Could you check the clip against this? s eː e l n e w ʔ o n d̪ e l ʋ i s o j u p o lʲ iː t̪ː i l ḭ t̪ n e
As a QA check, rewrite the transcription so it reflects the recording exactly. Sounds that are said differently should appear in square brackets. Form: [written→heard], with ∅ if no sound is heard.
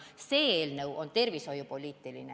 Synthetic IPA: s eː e l n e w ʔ o n [d̪→t̪] e [l→r] ʋ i s o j u p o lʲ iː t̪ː i l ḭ [t̪→∅] n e

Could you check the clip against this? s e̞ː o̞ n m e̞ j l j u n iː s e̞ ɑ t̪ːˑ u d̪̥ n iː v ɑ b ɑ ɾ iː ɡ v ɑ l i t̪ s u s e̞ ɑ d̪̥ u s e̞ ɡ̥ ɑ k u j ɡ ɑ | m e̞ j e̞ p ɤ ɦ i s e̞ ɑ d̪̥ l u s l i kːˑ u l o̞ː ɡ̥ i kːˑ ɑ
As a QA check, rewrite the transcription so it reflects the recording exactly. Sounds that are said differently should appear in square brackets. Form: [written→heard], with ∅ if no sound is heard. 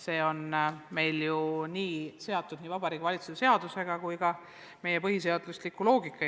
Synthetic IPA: s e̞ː o̞ n m e̞ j l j u n iː s e̞ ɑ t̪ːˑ u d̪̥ n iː v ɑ b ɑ ɾ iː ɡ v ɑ l i t̪ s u s e̞ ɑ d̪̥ u s e̞ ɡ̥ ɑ k u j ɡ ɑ | m e̞ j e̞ p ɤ ɦ i s e̞ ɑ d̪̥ l u s l i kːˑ u l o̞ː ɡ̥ i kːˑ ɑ

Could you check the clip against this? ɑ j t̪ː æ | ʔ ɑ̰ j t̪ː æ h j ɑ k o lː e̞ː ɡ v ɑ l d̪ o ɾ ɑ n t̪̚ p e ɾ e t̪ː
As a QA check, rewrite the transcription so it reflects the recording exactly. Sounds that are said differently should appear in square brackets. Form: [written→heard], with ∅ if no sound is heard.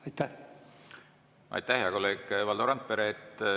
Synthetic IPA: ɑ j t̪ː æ | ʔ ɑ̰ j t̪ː æ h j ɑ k o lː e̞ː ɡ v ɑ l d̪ o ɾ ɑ n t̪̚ p e ɾ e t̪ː

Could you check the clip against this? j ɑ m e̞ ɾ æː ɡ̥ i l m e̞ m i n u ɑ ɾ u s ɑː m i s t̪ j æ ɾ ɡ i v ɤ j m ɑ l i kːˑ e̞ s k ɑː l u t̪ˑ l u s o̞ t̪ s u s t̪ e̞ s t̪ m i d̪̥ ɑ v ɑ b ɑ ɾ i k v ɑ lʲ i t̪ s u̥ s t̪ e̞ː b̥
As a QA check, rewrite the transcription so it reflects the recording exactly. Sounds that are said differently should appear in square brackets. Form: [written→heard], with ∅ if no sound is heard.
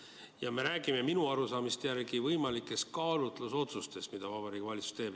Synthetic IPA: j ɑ m e̞ ɾ æː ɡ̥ i [l→∅] m e̞ m i n u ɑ ɾ u s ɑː m i s t̪ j æ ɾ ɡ i v ɤ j m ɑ l i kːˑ e̞ s k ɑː l u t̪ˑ l u s o̞ t̪ s u s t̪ e̞ s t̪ m i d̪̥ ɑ v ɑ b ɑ ɾ i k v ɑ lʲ i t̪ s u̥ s t̪ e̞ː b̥

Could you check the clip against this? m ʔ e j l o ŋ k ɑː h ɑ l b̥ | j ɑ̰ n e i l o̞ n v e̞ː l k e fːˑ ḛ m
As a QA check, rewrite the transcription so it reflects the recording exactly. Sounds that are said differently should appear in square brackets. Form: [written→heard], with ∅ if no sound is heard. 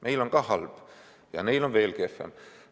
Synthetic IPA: m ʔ e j l o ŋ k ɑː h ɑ l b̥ | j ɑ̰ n e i l o̞ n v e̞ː l k e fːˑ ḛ m

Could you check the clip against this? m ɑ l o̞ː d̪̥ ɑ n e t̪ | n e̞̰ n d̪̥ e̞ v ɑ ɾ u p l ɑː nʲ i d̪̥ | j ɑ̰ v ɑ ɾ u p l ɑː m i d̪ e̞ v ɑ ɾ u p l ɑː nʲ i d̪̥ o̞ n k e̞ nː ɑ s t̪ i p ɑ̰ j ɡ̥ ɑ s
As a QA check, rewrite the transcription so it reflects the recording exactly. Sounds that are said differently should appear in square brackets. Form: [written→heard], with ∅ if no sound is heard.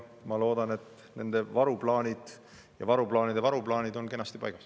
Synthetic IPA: m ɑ l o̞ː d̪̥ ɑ n e t̪ | n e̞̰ n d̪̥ e̞ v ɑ ɾ u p l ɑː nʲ i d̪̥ | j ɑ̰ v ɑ ɾ u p l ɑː [m→n] i d̪ e̞ v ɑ ɾ u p l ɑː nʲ i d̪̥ o̞ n k e̞ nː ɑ s t̪ i p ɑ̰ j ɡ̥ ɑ s

